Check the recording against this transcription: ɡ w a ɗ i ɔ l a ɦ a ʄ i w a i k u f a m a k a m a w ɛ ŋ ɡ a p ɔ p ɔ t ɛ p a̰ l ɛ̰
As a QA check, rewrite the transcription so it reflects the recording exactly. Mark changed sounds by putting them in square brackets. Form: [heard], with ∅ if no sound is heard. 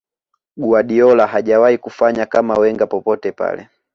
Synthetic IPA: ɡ [u] a ɗ i ɔ l a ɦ a ʄ [a] w a i k u f a [ɲ] a k a m a w ɛ ŋ ɡ a p ɔ p ɔ t ɛ p a̰ l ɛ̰